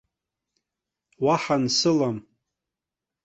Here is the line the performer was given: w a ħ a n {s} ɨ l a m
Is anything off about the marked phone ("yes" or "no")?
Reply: no